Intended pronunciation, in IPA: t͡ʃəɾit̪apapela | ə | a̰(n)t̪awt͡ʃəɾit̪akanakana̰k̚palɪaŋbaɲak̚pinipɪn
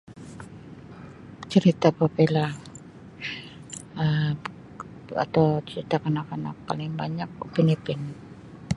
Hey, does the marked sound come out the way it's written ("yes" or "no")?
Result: no